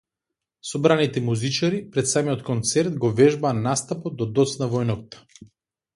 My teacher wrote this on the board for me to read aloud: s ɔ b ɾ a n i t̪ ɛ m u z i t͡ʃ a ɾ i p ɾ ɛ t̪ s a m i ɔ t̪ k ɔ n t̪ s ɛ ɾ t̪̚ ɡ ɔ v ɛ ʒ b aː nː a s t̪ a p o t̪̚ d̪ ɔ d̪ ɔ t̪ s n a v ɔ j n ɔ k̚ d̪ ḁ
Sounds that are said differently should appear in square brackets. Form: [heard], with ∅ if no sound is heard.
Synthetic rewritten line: s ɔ b ɾ a n i t̪ ɛ m u z i t͡ʃ a ɾ i p ɾ ɛ t̪ s a m i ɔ t̪ k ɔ n t̪ s ɛ ɾ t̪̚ ɡ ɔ v ɛ ʒ b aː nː a s t̪ a p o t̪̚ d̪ ɔ d̪ ɔ t̪ s n a v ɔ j n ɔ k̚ [t̪] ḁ